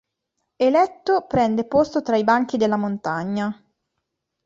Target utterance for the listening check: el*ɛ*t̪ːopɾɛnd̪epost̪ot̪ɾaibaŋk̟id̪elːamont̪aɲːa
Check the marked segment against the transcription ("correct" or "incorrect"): correct